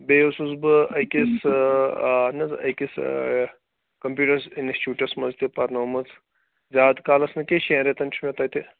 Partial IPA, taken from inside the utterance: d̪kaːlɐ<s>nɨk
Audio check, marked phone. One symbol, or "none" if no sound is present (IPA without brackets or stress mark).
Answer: s